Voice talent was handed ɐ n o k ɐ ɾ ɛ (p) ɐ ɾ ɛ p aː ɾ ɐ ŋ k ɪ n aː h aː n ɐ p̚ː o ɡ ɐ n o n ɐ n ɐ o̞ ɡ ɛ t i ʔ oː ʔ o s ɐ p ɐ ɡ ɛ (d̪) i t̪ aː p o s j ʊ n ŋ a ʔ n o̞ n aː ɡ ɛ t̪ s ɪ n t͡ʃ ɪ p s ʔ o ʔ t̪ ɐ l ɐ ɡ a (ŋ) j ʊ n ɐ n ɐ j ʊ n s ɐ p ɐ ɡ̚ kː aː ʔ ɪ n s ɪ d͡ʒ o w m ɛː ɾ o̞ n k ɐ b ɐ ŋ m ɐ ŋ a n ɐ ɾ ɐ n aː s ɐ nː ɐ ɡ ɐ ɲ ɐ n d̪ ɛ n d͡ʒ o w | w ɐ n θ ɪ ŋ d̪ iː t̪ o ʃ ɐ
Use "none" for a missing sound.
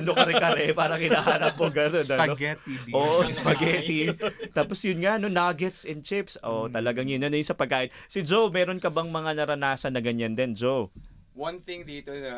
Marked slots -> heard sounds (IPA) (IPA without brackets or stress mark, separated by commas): k, t̪, ŋ